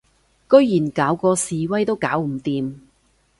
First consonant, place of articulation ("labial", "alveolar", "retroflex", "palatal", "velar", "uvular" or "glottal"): velar